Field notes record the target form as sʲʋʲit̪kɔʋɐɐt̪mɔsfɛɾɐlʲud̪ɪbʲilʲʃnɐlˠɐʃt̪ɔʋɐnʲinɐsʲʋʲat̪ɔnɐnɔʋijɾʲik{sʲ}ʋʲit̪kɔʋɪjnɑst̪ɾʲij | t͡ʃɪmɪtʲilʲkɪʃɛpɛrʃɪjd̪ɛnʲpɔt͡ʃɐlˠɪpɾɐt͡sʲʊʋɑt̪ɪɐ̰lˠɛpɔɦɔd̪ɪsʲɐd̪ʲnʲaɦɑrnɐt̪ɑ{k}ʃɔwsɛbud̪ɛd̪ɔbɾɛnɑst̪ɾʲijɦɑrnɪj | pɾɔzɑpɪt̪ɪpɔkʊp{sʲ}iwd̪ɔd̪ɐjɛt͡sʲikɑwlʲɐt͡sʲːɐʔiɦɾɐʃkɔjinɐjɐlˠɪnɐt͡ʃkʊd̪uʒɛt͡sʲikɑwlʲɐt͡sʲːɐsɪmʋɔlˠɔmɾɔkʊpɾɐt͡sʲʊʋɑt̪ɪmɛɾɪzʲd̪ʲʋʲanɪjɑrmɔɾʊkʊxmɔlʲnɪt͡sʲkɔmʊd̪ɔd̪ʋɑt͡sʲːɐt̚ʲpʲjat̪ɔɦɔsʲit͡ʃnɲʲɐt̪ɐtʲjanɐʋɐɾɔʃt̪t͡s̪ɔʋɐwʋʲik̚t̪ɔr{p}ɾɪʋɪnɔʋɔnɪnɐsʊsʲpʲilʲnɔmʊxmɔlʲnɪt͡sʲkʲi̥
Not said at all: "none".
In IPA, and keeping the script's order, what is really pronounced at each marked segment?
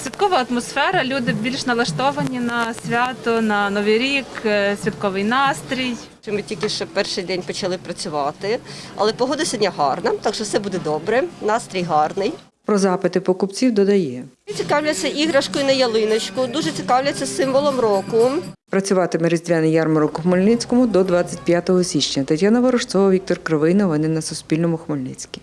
sʲ, k, t͡sʲ, k

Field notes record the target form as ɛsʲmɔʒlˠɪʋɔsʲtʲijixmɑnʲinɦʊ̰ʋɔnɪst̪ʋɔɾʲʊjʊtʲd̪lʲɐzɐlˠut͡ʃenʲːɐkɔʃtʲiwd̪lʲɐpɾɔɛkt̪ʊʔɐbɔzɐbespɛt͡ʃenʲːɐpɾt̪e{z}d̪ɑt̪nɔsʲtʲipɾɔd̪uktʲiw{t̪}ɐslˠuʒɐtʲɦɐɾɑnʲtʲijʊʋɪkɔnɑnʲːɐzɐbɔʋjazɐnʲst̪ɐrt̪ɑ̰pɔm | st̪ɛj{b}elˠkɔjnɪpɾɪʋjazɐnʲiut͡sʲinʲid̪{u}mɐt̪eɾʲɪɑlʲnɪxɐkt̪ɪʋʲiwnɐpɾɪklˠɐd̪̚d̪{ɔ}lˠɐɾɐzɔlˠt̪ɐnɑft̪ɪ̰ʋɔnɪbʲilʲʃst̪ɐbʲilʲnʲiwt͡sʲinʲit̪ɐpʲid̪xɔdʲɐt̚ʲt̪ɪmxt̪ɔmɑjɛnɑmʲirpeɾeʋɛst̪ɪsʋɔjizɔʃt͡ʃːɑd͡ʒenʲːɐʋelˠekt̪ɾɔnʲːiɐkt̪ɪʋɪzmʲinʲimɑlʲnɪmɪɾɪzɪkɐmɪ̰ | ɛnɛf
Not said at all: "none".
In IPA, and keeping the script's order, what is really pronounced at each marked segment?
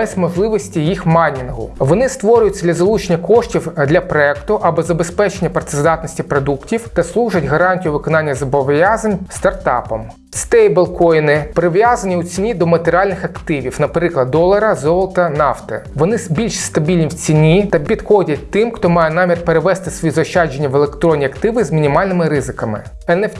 z, t̪, b, ɔ, ɔ

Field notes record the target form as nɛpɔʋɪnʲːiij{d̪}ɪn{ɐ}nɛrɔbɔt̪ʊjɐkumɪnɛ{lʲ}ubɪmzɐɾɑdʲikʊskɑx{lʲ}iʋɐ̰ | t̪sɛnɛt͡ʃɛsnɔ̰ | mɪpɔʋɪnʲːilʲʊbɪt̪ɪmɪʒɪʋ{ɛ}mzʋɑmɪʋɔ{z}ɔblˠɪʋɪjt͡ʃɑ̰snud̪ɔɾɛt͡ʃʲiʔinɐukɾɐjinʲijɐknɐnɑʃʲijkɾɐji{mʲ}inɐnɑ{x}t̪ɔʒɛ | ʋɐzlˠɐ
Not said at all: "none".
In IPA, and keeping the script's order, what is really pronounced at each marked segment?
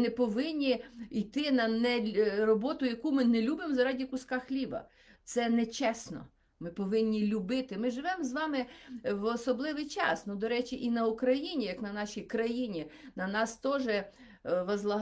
t̪, ɐ, lʲ, lʲ, ɛ, s, nʲ, s

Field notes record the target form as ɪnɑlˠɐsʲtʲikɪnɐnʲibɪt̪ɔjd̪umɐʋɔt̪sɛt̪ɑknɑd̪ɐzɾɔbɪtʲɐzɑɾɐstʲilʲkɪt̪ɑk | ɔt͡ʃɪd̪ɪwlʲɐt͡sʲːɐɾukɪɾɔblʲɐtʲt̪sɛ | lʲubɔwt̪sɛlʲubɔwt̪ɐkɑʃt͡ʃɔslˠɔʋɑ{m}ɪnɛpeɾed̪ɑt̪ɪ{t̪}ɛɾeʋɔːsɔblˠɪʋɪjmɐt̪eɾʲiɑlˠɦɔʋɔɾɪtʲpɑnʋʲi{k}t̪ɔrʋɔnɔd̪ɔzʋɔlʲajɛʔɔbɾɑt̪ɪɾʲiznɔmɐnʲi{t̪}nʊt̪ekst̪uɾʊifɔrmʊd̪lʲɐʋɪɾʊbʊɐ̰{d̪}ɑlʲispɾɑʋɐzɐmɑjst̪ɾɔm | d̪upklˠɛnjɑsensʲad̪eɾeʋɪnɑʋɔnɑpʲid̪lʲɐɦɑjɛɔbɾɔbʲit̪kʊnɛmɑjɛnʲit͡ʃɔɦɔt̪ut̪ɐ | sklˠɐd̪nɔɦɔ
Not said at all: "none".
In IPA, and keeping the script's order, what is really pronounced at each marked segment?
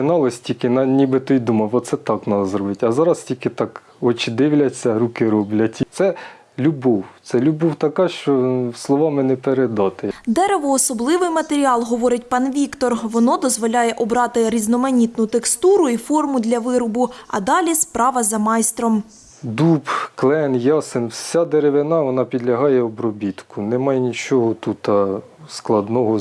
m, d̪, k, t̪, d̪

